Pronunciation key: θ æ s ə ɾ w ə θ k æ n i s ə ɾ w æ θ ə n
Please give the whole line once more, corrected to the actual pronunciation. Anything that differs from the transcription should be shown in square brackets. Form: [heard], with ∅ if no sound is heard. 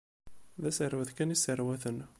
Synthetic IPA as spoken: [ð] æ s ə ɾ w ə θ k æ n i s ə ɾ w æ θ ə n